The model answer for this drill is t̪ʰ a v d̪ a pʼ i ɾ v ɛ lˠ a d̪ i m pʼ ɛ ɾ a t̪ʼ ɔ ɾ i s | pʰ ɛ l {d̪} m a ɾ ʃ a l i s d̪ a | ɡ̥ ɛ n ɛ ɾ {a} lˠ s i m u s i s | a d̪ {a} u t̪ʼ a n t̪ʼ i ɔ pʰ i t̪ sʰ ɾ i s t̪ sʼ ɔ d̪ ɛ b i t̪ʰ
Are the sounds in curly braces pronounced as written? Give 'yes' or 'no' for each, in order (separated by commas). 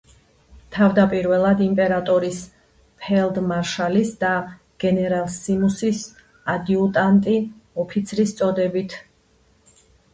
yes, yes, no